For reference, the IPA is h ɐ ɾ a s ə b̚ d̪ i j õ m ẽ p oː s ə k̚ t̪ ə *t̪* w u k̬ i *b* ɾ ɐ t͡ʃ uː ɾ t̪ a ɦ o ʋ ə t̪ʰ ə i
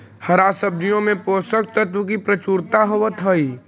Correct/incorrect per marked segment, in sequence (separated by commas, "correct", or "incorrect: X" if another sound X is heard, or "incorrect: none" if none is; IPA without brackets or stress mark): correct, incorrect: p